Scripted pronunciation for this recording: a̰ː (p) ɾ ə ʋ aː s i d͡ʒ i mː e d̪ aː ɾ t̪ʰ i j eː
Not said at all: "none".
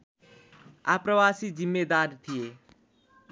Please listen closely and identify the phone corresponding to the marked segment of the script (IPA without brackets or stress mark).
p